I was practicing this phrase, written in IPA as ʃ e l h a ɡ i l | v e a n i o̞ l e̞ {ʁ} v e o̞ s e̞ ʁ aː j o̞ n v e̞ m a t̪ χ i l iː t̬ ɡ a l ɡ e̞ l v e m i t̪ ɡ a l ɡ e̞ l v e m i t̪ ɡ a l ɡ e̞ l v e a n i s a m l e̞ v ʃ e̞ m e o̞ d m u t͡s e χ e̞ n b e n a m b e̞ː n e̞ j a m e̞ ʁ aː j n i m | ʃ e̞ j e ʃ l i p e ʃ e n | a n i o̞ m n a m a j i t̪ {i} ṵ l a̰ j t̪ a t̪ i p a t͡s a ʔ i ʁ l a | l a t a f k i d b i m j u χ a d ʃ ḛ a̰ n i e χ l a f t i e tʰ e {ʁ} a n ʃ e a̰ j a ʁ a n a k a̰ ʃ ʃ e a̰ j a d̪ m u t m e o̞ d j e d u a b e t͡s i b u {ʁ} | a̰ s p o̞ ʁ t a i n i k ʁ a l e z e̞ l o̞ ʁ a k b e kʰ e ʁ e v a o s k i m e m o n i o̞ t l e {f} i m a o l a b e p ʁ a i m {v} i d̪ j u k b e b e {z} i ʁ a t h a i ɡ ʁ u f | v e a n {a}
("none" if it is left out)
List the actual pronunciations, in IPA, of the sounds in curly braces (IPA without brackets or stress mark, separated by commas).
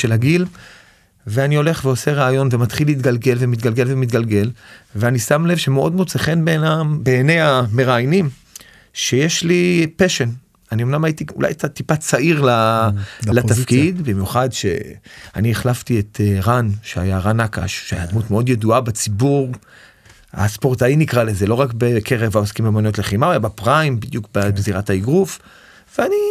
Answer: χ, i, ʁ, ʁ, χ, b, z, i